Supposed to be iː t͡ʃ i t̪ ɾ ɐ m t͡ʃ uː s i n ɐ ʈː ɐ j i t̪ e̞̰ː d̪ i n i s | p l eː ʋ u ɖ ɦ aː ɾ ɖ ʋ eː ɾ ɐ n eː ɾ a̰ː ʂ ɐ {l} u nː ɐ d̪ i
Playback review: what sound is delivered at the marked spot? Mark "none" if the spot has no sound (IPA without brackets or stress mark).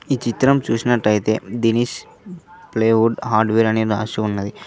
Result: none